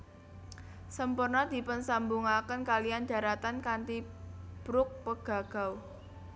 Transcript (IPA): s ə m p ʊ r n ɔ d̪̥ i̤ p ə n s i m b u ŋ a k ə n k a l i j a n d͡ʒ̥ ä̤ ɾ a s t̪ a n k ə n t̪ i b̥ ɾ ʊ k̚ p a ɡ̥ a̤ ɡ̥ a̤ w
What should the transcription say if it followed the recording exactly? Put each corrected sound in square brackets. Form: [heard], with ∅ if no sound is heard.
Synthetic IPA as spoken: s ə m p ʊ r n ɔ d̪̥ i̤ p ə n s [a] m b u ŋ a k ə n k a l i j a n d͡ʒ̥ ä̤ ɾ a [∅] t̪ a n k [a] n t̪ i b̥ ɾ ʊ k̚ p [ə] ɡ̥ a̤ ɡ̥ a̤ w